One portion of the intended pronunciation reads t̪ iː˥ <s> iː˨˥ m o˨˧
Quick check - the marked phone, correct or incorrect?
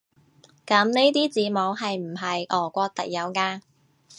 incorrect